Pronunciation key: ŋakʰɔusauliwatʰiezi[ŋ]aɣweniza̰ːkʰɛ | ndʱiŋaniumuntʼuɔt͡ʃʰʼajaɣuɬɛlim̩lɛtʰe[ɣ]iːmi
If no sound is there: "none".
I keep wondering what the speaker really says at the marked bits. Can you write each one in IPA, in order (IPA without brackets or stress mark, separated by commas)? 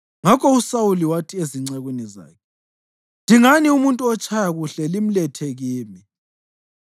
ŋ͡ǀ, ɣ